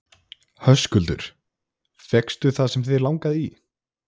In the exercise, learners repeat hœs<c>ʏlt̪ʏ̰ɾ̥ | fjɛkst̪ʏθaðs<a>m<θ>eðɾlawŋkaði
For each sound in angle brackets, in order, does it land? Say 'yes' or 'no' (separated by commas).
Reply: no, no, yes